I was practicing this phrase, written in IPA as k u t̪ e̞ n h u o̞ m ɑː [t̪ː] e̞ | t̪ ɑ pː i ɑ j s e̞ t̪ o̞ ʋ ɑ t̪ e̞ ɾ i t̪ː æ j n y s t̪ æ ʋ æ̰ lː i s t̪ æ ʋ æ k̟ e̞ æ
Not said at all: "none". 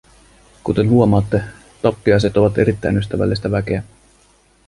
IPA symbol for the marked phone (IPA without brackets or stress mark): t̪ː